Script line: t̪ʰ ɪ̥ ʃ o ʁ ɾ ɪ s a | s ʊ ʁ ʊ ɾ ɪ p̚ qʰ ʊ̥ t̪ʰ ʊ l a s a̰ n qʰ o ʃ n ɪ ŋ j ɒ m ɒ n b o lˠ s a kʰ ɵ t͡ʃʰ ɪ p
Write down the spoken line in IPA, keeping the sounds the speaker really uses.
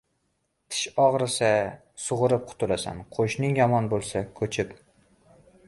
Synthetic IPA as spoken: t̪ʰ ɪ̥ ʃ ɒ ʁ ɾ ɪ s a | s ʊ ʁ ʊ ɾ ɪ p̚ qʰ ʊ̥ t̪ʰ ʊ l a s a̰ n qʰ o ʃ n ɪ ŋ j ɒ m ɒ n b o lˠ s a kʰ ɵ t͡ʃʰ ɪ p